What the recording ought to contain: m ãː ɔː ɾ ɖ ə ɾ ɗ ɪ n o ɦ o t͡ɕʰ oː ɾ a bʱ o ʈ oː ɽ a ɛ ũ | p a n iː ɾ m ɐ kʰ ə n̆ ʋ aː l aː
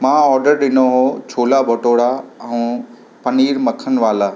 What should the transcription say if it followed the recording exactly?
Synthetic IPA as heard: m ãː ɔː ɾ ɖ ə ɾ ɗ ɪ n o ɦ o t͡ɕʰ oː l a bʱ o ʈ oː ɽ a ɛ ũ | p ɐ n iː ɾ m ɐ kʰ ə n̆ ʋ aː l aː